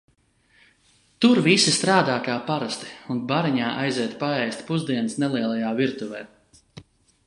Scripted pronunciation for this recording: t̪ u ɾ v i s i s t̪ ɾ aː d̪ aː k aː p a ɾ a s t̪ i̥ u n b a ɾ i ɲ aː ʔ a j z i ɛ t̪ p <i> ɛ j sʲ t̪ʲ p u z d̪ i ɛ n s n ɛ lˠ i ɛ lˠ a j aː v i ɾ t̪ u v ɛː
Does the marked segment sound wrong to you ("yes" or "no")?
yes